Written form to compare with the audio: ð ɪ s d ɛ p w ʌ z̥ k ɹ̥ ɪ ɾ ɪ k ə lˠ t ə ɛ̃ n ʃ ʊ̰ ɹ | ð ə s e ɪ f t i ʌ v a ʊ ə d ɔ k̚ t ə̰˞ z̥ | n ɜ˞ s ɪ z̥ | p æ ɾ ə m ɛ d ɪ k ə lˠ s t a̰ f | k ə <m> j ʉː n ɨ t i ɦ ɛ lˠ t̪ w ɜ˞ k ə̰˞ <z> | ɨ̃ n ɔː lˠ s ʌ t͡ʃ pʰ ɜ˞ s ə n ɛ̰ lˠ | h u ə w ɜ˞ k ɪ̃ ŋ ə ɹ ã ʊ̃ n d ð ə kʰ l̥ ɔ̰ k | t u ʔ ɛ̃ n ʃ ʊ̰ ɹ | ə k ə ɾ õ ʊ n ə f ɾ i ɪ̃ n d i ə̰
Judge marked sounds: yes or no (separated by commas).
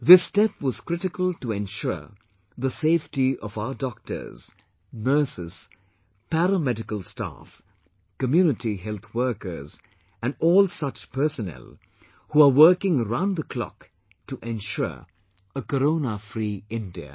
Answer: yes, yes